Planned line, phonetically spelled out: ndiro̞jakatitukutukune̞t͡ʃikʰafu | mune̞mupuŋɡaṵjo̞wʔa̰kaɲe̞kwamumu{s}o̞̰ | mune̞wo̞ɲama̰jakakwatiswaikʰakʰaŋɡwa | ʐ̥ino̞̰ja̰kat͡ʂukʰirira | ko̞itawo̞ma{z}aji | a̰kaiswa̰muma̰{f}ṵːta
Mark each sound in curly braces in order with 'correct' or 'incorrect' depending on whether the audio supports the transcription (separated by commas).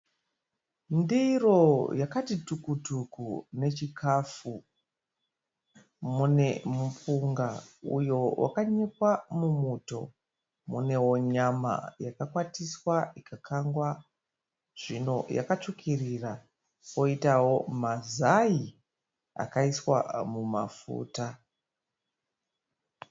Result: incorrect, correct, correct